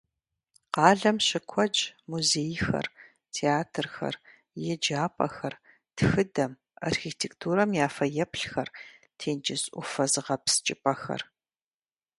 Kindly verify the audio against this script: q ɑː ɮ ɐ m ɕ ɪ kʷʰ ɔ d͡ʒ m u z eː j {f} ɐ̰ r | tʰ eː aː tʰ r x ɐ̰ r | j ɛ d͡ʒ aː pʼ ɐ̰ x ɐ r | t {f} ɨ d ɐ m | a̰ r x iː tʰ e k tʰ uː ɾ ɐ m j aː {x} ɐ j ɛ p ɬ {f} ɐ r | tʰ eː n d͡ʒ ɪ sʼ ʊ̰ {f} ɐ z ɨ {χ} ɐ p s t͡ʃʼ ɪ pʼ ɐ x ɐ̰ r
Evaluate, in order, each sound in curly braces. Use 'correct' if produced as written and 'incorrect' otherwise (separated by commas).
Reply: incorrect, incorrect, incorrect, incorrect, correct, incorrect